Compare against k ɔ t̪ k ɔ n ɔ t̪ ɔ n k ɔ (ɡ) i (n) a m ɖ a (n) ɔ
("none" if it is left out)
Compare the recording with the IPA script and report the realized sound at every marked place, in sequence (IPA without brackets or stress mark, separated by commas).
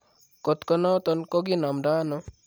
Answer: ɡ, n, n